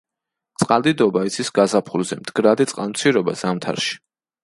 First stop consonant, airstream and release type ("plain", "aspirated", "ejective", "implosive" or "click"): plain